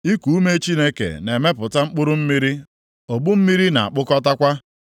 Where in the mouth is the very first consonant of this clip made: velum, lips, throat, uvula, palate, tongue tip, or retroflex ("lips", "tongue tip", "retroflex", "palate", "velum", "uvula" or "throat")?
velum